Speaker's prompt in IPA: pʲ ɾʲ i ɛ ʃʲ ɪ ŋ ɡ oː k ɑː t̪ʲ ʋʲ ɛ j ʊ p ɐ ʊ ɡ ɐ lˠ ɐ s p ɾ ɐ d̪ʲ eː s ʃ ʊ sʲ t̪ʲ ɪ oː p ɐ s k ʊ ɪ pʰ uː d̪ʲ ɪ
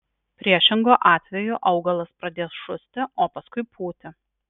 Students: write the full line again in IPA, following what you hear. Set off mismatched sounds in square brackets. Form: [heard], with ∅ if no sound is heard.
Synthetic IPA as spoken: pʲ ɾʲ i ɛ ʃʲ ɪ ŋ ɡ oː [ʔ] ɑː t̪ʲ ʋʲ ɛ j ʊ [ʔ] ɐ ʊ ɡ ɐ lˠ ɐ s p ɾ ɐ d̪ʲ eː s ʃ ʊ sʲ t̪ʲ ɪ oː p ɐ s k ʊ ɪ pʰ uː [t̪ʲ] ɪ